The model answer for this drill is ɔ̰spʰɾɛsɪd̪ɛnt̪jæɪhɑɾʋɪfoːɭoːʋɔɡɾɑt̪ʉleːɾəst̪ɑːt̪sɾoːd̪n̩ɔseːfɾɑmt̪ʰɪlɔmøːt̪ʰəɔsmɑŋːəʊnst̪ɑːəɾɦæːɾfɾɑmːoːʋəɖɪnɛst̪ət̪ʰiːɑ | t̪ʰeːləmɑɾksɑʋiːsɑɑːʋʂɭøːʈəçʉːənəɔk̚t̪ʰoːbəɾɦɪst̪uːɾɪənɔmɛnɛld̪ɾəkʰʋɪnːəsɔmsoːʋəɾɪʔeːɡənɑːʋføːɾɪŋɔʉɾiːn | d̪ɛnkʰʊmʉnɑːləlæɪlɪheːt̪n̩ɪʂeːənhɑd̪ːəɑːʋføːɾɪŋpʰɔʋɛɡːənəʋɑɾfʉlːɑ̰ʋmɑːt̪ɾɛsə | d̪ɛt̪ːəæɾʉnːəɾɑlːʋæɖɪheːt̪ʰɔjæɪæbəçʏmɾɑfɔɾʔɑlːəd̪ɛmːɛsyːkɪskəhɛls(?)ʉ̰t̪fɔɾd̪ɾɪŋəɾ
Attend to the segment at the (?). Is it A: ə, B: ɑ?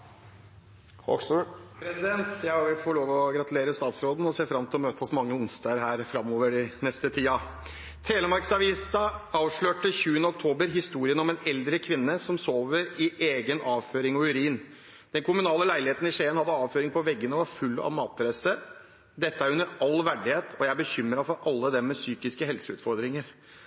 A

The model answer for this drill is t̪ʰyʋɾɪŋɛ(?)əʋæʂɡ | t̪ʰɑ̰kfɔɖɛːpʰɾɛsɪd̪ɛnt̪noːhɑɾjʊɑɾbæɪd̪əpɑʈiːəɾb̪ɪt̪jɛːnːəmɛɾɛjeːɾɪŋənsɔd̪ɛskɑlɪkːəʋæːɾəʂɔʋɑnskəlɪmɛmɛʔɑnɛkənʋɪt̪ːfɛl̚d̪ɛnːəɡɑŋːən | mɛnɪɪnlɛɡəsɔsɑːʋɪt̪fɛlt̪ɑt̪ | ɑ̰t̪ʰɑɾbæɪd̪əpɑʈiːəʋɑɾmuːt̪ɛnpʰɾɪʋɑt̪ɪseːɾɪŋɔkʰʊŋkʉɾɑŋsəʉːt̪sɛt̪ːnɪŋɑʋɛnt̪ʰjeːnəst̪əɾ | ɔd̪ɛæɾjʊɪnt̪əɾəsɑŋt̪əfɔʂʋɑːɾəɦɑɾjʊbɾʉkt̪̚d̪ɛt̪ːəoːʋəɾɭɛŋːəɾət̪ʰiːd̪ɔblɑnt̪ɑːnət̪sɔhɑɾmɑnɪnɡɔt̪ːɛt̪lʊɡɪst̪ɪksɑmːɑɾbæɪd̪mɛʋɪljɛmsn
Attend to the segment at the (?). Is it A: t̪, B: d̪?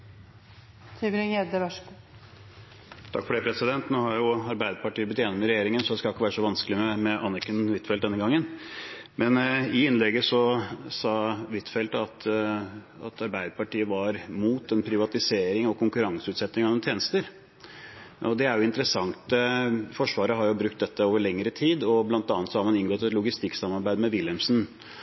B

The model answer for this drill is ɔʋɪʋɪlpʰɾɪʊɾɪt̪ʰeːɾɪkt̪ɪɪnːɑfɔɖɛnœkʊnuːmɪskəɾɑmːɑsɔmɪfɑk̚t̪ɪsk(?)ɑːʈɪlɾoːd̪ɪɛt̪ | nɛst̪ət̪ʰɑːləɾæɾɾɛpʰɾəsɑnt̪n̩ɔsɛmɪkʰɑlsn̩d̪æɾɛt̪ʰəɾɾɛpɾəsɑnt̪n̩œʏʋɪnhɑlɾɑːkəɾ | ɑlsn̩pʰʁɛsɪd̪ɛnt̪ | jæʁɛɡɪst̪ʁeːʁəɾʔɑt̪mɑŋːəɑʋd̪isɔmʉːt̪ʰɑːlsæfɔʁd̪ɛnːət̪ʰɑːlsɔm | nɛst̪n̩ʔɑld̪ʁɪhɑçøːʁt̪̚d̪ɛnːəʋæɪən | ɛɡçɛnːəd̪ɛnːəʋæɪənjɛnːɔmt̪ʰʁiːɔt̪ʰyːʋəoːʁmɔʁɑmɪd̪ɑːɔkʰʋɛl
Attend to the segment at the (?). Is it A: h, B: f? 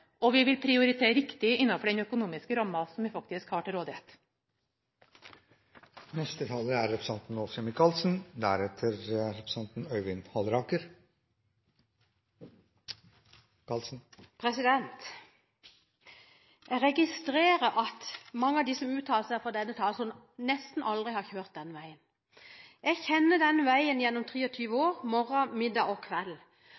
A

